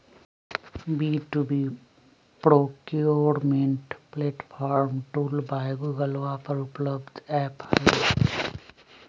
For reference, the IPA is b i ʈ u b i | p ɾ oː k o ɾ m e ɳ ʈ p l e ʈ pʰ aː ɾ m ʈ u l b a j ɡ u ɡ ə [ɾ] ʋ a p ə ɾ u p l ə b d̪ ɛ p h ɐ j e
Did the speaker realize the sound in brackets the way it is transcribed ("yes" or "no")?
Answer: no